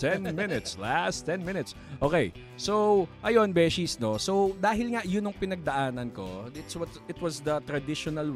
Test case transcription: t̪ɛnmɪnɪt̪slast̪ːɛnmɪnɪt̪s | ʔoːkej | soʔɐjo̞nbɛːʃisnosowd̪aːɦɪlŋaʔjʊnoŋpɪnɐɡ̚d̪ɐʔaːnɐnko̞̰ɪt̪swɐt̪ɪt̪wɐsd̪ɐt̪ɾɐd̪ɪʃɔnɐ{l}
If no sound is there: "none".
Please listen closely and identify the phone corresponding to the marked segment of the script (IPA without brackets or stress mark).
l